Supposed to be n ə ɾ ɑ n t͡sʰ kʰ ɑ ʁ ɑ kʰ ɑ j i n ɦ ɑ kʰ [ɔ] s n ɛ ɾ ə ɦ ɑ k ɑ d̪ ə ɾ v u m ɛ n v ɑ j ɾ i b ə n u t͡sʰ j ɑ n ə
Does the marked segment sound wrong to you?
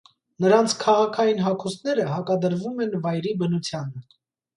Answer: yes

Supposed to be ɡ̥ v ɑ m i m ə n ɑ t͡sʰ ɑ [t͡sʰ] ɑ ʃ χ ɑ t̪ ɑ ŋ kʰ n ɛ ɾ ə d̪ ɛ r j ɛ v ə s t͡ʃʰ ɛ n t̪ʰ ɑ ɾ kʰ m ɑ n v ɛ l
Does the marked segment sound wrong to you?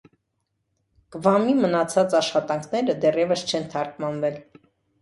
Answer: yes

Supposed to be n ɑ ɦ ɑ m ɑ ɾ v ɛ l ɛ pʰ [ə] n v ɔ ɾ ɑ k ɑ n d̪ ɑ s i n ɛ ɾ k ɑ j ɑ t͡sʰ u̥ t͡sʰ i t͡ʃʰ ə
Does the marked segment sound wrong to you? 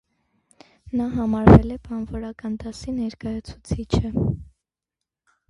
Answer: yes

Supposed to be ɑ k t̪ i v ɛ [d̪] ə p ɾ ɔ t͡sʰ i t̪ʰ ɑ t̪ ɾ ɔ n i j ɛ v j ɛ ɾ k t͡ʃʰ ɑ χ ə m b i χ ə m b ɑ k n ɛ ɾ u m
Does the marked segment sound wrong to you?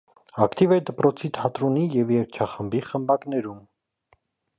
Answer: no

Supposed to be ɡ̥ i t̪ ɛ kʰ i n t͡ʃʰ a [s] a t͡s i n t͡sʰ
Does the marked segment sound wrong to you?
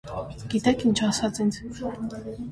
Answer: no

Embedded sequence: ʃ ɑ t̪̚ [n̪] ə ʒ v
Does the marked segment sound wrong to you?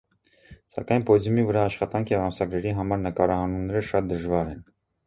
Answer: yes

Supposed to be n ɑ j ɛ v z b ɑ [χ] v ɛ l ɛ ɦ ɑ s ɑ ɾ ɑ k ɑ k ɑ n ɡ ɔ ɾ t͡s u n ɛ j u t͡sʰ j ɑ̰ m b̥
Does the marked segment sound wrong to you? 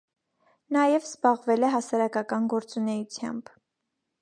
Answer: yes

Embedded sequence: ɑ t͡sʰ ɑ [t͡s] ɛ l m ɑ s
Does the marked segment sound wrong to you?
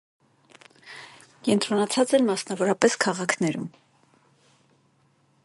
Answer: no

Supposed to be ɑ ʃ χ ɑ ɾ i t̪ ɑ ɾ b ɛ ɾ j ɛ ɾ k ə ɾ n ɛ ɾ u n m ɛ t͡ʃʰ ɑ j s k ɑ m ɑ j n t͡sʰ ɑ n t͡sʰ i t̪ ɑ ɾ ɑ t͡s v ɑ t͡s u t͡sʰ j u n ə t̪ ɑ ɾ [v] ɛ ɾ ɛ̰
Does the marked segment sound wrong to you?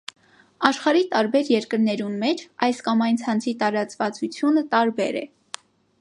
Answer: yes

